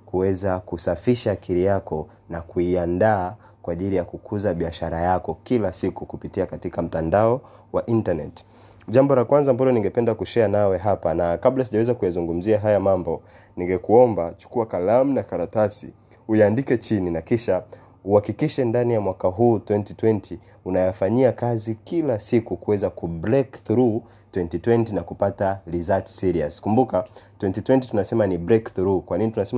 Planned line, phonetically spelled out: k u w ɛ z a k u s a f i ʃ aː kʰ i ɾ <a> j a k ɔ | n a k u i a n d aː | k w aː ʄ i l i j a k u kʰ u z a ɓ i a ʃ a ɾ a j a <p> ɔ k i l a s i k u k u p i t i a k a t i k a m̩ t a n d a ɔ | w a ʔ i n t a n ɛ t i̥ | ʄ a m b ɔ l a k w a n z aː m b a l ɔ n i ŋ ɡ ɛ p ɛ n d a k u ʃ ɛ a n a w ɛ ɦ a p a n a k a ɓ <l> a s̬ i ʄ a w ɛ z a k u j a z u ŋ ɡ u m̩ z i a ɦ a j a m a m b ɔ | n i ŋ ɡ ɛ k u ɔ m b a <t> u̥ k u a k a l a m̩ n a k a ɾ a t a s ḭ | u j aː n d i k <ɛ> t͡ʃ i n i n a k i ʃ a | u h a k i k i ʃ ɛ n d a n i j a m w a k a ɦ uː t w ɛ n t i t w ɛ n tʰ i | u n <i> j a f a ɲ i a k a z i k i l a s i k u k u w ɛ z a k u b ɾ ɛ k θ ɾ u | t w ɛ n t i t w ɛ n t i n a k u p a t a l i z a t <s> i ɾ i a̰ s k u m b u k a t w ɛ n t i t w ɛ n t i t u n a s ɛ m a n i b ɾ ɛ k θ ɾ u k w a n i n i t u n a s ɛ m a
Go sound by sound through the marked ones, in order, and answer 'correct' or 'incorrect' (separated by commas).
incorrect, incorrect, correct, incorrect, correct, incorrect, correct